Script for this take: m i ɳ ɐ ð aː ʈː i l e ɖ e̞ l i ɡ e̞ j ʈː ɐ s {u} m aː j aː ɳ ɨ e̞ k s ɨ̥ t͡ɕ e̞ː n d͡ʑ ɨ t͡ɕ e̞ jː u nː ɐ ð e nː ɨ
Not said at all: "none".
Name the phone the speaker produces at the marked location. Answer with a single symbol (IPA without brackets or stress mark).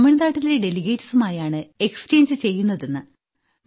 u